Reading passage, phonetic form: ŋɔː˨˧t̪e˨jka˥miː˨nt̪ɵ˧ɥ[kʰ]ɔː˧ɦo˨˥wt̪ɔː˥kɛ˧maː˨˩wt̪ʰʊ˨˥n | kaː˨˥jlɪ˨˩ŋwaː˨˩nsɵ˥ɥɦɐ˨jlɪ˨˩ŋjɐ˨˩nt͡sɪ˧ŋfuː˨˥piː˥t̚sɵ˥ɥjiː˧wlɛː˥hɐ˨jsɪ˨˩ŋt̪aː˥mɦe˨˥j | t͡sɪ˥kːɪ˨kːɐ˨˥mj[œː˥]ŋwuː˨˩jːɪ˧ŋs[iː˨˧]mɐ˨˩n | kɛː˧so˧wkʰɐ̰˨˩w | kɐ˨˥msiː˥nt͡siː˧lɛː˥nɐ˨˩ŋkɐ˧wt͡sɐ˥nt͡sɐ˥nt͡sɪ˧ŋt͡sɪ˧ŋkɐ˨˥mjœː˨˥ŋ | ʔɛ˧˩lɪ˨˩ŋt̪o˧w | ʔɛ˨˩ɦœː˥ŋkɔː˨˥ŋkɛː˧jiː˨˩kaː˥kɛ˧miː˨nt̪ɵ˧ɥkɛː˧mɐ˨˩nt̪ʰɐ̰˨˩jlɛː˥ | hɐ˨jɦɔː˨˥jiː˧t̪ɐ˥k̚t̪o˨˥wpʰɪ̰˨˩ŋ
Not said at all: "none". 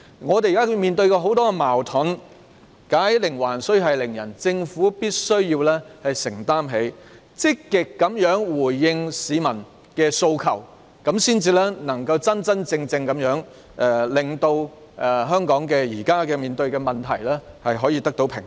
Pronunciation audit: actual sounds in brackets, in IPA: k, œː˨˥, iː˨˧

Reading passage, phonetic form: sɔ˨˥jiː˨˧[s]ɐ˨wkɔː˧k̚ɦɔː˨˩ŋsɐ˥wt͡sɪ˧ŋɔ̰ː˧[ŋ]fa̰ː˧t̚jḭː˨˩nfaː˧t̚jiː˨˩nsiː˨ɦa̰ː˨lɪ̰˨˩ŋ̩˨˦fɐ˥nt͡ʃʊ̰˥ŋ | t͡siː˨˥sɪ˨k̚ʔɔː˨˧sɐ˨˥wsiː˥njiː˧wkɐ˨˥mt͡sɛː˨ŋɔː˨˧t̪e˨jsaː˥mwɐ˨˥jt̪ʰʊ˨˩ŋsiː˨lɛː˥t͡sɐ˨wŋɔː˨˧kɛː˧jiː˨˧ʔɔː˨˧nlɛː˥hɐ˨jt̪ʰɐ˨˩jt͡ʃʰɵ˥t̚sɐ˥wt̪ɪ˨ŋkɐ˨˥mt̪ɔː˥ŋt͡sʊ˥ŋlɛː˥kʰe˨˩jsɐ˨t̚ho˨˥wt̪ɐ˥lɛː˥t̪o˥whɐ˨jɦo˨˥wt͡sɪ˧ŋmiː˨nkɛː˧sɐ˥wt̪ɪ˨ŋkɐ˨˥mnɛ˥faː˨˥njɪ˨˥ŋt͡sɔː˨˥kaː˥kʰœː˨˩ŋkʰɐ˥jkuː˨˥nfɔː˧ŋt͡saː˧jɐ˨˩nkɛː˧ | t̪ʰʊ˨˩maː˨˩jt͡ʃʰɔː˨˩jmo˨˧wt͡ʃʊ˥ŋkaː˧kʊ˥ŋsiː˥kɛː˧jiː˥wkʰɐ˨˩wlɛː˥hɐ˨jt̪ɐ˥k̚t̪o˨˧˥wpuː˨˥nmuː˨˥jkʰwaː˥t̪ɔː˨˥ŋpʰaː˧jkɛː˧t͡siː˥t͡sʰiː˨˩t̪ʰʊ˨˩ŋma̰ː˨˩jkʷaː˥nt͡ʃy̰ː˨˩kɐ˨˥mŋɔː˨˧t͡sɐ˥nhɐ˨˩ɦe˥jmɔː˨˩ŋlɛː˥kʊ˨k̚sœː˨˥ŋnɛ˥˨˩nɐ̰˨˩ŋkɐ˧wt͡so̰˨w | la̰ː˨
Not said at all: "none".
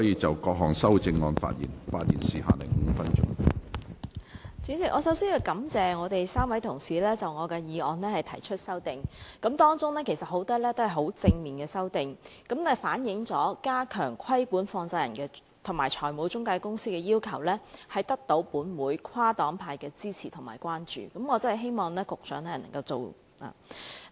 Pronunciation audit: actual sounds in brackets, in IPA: t͡s, n

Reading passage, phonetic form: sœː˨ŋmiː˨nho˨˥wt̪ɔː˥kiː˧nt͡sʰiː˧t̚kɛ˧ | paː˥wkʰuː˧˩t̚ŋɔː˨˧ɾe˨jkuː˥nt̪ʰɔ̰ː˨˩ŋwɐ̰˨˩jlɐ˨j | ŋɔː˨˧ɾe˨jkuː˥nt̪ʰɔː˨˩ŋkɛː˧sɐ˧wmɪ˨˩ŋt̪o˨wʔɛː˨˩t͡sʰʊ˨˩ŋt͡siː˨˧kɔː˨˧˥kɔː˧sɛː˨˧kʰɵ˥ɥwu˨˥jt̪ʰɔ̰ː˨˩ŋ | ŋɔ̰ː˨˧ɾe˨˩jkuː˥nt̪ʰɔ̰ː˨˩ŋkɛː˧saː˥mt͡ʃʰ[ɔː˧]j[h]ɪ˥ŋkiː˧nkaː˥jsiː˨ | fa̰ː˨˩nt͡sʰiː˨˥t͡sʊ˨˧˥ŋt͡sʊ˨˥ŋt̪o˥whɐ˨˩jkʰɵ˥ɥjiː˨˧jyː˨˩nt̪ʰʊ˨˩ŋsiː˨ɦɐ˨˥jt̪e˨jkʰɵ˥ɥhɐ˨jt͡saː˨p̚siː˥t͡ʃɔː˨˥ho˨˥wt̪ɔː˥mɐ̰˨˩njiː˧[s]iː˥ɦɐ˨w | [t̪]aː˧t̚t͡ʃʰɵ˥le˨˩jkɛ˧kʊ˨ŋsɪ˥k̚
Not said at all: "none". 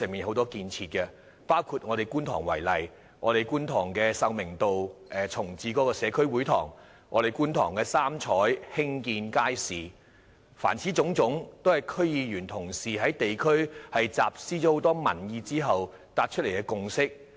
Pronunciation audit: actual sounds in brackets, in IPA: ɔː˨˥, h, t͡s, t̪

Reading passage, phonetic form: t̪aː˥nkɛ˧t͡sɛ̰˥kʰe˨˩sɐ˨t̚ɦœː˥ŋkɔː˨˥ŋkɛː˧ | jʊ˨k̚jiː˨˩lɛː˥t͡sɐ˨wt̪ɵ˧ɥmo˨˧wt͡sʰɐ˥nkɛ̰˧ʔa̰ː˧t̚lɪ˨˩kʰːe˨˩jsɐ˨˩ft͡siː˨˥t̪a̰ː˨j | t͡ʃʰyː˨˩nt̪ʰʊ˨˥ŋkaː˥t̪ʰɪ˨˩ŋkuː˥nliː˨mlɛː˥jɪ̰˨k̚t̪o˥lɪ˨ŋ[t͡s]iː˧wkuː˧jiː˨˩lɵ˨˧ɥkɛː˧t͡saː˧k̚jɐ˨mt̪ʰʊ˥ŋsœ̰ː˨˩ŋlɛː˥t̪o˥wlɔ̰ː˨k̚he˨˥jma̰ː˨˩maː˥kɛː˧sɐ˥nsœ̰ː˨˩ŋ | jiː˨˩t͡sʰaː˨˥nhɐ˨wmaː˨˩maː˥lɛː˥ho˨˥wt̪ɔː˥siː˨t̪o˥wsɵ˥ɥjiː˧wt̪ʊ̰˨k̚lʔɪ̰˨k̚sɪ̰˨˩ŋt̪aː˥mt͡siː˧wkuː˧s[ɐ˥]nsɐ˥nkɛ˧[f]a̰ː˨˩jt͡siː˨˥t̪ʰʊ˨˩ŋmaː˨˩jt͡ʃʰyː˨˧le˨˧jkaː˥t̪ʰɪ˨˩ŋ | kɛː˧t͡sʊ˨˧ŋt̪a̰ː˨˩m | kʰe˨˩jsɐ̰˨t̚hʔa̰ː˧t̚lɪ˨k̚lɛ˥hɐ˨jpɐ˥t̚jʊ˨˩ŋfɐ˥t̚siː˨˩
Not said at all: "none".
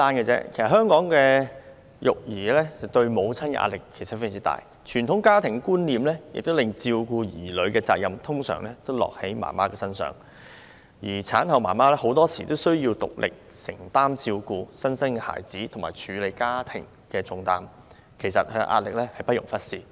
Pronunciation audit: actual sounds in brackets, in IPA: t͡s, ɐ˥, h

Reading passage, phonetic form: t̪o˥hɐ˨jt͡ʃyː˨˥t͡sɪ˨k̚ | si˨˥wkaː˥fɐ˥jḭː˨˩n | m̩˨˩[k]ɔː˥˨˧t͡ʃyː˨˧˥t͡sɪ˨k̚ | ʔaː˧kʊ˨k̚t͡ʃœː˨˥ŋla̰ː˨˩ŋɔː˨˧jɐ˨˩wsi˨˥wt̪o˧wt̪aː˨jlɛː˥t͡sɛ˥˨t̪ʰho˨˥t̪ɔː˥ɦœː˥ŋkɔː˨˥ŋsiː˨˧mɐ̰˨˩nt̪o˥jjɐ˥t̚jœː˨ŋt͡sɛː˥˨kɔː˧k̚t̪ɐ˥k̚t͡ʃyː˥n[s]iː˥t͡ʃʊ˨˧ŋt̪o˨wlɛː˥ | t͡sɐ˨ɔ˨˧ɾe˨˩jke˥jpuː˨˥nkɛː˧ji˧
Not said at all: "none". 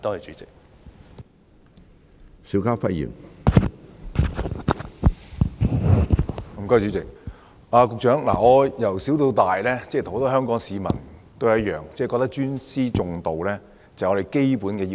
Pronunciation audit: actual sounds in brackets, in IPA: k, s

